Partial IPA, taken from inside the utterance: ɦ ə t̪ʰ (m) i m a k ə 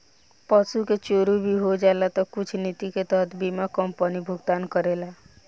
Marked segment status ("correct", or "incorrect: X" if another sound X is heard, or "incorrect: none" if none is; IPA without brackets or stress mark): incorrect: b